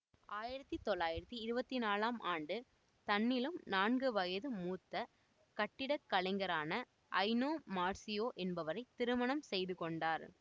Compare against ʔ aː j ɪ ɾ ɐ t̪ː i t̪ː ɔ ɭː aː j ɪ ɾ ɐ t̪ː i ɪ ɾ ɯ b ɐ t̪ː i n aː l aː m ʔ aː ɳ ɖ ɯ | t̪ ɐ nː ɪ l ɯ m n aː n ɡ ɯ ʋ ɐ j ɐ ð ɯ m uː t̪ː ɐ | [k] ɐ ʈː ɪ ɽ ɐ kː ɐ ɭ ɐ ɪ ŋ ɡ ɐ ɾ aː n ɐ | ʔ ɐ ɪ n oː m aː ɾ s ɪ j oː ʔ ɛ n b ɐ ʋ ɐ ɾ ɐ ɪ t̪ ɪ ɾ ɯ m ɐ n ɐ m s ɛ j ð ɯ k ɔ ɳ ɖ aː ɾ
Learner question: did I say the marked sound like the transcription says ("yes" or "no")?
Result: yes